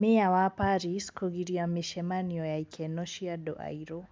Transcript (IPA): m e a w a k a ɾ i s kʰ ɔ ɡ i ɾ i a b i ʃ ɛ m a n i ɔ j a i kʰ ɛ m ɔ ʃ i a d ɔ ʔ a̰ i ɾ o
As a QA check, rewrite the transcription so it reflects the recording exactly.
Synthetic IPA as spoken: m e a w a p a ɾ i s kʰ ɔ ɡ i ɾ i a m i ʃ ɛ m a n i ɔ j a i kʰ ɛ n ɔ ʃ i a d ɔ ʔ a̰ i ɾ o